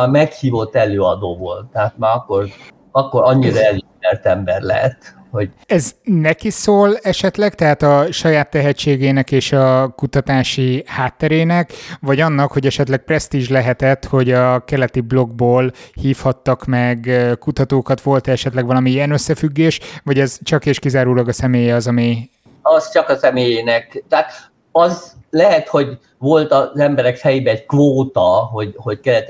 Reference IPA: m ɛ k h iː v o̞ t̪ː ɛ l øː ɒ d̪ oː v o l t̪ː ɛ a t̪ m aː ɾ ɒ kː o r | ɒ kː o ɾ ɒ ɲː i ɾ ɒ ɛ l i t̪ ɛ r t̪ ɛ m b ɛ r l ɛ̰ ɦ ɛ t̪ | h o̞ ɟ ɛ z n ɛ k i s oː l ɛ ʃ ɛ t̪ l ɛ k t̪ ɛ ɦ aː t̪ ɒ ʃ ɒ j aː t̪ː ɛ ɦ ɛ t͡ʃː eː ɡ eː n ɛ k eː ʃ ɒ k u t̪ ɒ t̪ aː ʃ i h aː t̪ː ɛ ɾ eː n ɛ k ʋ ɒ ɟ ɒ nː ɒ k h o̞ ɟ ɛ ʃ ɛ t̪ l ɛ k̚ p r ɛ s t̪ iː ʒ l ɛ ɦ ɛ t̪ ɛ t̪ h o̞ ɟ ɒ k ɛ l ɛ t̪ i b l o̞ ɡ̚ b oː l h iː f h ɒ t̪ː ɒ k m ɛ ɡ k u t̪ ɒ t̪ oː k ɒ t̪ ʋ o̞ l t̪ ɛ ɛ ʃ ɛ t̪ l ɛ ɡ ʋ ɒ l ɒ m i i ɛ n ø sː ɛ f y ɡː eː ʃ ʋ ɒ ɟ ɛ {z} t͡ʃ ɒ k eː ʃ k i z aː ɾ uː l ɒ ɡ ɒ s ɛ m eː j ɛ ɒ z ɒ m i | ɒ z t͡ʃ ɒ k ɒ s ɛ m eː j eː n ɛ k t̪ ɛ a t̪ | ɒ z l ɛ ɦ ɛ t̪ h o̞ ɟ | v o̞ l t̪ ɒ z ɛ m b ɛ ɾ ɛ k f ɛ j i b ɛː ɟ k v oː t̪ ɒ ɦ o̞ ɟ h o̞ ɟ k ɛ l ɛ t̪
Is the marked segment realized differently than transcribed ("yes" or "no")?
no